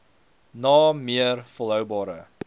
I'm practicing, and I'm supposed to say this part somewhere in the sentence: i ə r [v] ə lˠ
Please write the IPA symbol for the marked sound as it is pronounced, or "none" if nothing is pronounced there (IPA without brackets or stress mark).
f